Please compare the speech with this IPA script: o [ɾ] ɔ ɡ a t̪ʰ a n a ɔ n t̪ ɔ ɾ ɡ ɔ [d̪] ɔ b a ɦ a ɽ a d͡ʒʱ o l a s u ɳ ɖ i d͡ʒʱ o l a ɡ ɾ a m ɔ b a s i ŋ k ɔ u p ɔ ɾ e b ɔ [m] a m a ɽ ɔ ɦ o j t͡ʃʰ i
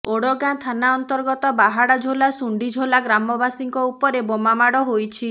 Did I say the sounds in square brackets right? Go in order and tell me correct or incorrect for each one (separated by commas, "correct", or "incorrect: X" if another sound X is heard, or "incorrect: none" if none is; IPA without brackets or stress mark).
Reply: incorrect: ɽ, incorrect: t̪, correct